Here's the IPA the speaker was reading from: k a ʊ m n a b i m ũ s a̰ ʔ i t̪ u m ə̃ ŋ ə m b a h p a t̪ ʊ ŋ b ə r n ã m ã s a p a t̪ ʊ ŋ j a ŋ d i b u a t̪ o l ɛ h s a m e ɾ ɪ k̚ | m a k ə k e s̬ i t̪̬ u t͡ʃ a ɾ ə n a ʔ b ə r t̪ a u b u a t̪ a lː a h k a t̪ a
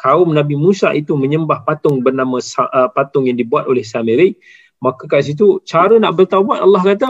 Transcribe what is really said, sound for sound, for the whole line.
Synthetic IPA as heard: k a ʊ m n a b i m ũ s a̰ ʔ i t̪ u m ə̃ ɲ ə m b a h p a t̪ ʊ ŋ b ə r n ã m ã s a p a t̪ ʊ ŋ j a ŋ d i b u a t̪ o l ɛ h s a m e ɾ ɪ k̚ | m a k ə k a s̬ i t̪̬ u t͡ʃ a ɾ ə n a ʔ b ə r t̪ a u b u a t̪ a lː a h k a t̪ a